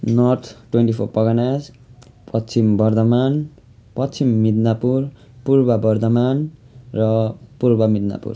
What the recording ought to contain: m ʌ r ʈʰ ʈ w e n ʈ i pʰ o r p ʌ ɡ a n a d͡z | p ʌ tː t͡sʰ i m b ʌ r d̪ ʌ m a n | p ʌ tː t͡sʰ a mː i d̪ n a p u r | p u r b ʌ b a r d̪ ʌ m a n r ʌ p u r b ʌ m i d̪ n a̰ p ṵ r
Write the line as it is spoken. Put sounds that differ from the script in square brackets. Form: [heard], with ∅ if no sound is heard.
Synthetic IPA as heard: [n] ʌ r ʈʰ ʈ w e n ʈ i pʰ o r p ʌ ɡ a n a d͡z | p ʌ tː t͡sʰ i m b ʌ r d̪ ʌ m a n | p ʌ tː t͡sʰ [i] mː i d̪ n a p u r | p u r b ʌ b [ʌ] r d̪ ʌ m a n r ʌ p u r b ʌ m i d̪ n a̰ p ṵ r

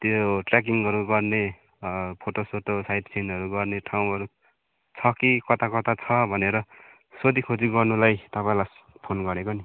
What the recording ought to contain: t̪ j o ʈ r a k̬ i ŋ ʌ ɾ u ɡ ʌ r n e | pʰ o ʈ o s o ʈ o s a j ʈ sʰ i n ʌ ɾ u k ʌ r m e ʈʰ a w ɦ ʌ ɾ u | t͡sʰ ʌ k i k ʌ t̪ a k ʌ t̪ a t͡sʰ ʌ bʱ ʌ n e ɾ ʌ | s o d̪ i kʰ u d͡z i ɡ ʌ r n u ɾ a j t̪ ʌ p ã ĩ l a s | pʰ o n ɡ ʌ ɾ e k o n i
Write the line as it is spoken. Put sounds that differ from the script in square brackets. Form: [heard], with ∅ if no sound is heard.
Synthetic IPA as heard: t̪ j o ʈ r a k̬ i ŋ ʌ ɾ u ɡ ʌ r n e | pʰ o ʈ o s o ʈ o s a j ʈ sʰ i n ʌ ɾ u [ɡ] ʌ r [n] e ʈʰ a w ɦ ʌ ɾ u | t͡sʰ ʌ k i k ʌ t̪ a k ʌ t̪ a t͡sʰ ʌ bʱ ʌ n e ɾ ʌ | s o d̪ i kʰ [o] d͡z i ɡ ʌ r n u [l] a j t̪ ʌ p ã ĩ l a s | pʰ o n ɡ ʌ ɾ e k o n i

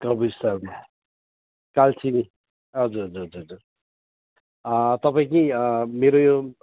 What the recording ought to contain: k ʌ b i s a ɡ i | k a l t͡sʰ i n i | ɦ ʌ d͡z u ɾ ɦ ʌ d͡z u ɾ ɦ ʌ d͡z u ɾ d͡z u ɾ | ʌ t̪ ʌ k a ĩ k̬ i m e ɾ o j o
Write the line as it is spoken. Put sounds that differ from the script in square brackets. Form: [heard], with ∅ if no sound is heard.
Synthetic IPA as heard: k ʌ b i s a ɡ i | k a l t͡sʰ i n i | ɦ ʌ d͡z u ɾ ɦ ʌ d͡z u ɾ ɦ ʌ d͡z u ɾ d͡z u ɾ | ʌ t̪ ʌ [p] a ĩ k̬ i m e ɾ o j o

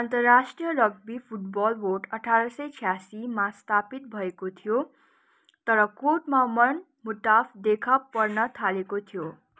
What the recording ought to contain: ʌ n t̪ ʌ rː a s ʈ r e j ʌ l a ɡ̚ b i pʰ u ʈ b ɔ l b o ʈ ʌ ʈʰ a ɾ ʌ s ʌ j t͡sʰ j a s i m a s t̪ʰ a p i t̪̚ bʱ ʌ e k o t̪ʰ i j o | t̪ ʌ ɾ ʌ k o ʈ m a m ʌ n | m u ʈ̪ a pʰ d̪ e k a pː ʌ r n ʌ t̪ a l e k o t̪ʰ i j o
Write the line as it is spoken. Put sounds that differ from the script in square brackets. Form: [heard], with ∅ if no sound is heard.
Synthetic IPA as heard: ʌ n t̪ ʌ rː a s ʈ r [i] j ʌ l [ʌ] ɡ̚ b i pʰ u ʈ b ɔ l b o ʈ ʌ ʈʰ a ɾ ʌ s ʌ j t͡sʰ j a s i m a s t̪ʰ a p i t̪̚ bʱ ʌ e k o t̪ʰ i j o | t̪ ʌ ɾ ʌ k o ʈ m a m ʌ n | m u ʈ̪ a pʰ d̪ e [kʰ] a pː ʌ r n ʌ [t̪ʰ] a l e k o t̪ʰ i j o

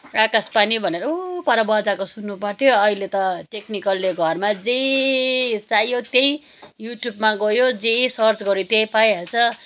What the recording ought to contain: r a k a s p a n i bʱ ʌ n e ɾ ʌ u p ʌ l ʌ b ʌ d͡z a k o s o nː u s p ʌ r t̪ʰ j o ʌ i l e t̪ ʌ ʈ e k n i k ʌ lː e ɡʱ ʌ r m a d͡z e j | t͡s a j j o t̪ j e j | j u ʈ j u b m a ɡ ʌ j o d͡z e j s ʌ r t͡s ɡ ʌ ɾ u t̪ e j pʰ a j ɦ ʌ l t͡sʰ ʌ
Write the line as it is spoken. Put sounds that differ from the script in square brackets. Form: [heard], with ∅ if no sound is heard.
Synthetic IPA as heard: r a k a s p a n i bʱ ʌ n e ɾ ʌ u p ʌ [ɾ] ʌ b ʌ d͡z a k o s [u] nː u [∅] p ʌ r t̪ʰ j o ʌ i l e t̪ ʌ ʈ e k n i k ʌ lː e ɡʱ ʌ r m a d͡z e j | t͡s a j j o t̪ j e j | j u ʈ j u b m a ɡ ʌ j o d͡z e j s ʌ r t͡s ɡ ʌ ɾ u t̪ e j [p] a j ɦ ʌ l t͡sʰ ʌ

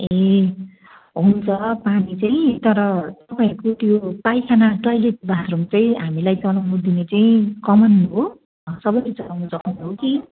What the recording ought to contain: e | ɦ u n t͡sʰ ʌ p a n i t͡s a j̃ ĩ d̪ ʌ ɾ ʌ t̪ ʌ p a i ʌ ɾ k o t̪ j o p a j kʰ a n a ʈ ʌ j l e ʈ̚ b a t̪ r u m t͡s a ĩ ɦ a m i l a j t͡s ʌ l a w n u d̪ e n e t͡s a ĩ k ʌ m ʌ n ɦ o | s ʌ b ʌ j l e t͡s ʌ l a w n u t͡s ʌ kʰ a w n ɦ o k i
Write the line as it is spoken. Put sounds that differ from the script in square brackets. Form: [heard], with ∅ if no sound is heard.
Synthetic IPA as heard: e | ɦ u n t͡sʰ ʌ p a n i t͡s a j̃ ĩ [t̪] ʌ ɾ ʌ t̪ ʌ p a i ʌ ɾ k o t̪ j o p a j kʰ a n a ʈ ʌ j l e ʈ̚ b a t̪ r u m t͡s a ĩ ɦ a m i l a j t͡s ʌ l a w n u d̪ [i] n e t͡s a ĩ k ʌ m ʌ n ɦ o | s ʌ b ʌ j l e t͡s ʌ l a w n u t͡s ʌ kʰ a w n ɦ o k i

